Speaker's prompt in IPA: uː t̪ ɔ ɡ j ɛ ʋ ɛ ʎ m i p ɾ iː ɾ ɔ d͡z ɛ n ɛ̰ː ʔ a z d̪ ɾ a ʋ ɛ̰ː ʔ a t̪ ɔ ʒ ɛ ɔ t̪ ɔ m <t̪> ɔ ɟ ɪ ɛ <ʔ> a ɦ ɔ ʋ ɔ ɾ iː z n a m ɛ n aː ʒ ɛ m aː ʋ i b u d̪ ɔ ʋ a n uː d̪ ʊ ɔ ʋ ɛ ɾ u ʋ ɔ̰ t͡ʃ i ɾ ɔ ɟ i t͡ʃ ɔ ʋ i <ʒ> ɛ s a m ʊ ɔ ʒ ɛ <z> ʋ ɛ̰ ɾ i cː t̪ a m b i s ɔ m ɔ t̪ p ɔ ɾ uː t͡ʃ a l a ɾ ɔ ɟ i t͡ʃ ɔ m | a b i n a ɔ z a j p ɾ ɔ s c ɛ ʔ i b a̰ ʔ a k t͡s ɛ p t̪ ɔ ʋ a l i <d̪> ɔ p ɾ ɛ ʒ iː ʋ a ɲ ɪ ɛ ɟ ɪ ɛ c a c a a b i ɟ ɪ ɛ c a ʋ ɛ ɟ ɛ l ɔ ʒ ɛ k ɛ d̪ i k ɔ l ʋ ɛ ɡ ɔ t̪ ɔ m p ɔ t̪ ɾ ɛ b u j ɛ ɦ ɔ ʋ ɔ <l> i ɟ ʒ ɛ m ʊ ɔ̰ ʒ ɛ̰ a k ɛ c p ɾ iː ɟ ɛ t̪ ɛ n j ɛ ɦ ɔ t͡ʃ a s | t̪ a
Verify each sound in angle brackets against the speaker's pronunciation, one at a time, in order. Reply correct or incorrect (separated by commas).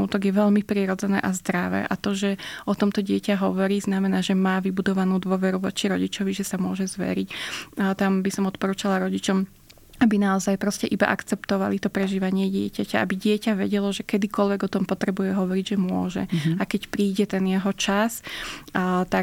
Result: correct, incorrect, correct, correct, incorrect, incorrect